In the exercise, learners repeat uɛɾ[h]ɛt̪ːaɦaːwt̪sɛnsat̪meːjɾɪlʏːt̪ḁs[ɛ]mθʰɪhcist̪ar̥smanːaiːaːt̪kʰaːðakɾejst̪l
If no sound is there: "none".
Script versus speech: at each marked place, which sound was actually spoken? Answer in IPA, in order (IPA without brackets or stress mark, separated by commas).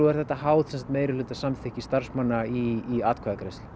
θ, a